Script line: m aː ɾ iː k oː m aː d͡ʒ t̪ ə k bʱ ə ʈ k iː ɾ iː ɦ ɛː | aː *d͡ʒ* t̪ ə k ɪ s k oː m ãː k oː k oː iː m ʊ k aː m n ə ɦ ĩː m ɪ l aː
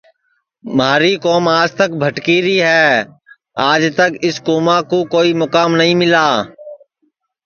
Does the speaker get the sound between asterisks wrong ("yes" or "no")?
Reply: no